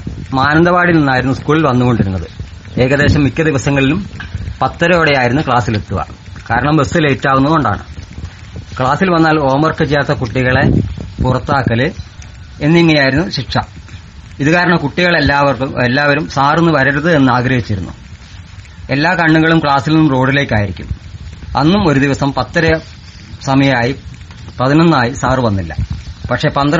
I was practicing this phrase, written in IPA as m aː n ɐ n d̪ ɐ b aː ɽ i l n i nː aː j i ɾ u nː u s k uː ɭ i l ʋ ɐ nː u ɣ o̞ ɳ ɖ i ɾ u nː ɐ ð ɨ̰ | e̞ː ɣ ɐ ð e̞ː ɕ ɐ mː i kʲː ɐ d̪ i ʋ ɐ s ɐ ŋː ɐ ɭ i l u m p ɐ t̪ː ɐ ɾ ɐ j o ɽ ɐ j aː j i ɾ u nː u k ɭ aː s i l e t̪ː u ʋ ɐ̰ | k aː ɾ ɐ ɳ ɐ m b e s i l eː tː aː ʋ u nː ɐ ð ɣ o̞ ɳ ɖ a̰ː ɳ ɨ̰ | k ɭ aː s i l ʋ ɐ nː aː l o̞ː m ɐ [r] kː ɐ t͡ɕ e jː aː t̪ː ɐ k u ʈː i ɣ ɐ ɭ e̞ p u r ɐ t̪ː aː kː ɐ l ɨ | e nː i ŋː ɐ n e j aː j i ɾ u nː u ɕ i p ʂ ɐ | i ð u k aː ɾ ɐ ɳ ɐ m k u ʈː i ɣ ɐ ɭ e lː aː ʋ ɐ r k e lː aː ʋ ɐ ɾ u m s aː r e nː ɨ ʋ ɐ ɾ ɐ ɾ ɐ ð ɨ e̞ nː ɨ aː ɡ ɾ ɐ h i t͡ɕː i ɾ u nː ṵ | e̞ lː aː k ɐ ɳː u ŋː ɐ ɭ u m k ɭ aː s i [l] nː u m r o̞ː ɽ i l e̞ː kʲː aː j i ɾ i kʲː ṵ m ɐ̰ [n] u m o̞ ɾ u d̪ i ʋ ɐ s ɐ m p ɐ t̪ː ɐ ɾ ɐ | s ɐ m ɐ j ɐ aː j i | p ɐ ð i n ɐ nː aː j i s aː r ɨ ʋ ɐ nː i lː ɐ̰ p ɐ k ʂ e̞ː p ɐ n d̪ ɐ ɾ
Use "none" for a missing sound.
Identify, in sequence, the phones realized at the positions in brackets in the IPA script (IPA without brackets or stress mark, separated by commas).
r, l, nː